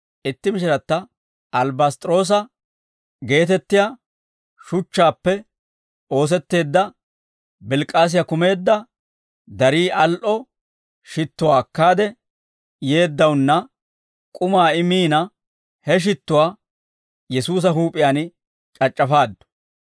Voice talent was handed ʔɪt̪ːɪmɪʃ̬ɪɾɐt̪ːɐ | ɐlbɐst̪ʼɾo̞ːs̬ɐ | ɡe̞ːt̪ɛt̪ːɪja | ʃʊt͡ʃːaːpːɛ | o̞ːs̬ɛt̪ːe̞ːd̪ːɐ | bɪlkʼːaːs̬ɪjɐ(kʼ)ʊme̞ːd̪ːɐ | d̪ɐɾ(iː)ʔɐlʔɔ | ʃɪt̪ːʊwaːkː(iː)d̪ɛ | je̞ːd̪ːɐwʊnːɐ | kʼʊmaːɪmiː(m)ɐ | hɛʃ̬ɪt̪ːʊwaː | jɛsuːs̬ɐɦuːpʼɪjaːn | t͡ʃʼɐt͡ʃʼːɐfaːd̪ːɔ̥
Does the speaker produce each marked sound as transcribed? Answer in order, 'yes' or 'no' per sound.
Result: no, yes, no, no

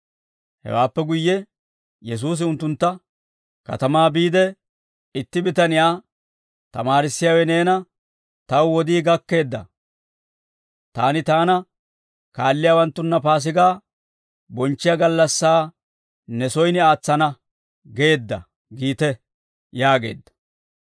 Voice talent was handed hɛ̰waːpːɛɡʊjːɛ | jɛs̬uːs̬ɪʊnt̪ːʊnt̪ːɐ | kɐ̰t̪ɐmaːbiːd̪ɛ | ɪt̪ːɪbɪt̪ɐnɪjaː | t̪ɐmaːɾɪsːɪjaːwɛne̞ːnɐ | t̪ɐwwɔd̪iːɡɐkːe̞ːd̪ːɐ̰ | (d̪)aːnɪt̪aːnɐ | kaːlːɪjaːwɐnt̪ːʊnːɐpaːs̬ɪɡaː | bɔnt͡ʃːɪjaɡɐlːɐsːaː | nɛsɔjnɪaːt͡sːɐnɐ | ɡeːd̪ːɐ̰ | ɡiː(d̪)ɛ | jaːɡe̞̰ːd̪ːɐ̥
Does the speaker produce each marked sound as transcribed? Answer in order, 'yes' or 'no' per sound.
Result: no, no

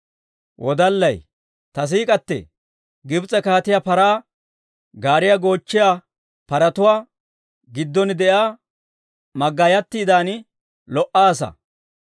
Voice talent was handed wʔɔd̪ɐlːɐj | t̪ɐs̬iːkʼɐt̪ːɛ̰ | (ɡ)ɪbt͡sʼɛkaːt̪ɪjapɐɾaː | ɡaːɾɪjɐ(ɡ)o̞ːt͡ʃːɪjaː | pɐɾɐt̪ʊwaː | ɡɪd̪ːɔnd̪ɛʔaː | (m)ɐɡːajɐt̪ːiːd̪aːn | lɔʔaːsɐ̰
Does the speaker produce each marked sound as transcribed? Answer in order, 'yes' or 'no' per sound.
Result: yes, yes, yes

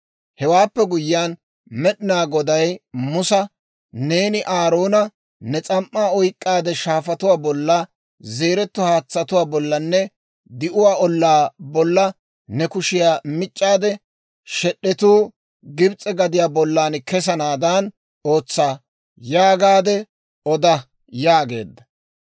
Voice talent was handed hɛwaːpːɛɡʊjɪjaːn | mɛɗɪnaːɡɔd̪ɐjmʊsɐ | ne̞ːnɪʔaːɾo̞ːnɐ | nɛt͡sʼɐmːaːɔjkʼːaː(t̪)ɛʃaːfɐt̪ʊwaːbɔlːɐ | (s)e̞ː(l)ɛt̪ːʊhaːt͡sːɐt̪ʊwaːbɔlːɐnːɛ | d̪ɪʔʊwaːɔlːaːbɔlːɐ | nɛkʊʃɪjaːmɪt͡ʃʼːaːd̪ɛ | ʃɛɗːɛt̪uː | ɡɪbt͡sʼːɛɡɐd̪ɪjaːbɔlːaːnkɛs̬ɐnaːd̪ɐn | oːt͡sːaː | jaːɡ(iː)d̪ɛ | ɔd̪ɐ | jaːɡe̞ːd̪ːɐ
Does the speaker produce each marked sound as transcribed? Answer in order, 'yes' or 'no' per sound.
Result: no, no, no, no

